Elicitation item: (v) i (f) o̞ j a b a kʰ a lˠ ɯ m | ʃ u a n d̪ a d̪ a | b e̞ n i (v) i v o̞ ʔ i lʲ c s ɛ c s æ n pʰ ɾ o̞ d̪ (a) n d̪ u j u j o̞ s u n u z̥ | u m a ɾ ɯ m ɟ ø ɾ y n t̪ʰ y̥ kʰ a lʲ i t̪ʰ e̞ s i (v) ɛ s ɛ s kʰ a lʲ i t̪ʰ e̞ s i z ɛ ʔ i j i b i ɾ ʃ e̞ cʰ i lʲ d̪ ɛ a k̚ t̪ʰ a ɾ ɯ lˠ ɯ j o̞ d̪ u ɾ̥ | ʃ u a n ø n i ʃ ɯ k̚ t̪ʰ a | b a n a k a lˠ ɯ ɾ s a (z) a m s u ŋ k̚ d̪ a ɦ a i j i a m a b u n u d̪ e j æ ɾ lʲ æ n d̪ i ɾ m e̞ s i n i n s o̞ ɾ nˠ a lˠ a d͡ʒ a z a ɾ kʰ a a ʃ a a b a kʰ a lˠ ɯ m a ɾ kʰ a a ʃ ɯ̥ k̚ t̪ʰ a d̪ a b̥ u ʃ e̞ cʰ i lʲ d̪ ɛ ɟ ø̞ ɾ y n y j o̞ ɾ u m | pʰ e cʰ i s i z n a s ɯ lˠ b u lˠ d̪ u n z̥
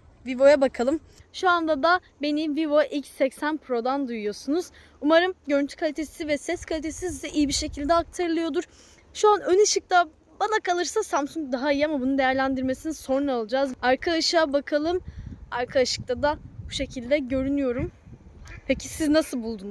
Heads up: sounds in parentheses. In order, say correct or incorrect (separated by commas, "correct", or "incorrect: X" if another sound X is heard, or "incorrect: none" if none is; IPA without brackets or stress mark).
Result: correct, incorrect: v, correct, correct, correct, incorrect: s